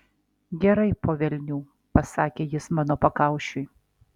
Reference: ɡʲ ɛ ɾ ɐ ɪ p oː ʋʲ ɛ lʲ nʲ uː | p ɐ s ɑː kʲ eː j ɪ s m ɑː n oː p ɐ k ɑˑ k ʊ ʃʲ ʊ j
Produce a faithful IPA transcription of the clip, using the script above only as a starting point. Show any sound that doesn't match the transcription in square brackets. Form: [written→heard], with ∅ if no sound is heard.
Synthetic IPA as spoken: ɡʲ ɛ ɾ ɐ ɪ p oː ʋʲ ɛ lʲ nʲ uː | p ɐ s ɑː kʲ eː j ɪ s m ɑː n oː p ɐ k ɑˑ [k→∅] ʊ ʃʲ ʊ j